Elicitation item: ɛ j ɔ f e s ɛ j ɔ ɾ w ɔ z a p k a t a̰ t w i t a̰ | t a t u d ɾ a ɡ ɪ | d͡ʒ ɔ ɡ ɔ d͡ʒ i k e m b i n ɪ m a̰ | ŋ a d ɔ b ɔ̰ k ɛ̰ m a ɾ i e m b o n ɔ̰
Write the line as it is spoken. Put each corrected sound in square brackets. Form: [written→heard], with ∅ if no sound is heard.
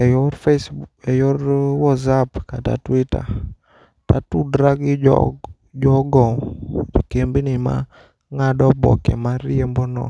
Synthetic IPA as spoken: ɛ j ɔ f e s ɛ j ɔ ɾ w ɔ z a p k a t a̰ t w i t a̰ | t a t u d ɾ a ɡ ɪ | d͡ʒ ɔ ɡ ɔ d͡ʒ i k e m b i n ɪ m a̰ | ŋ a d ɔ b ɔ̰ k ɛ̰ m a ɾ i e m b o n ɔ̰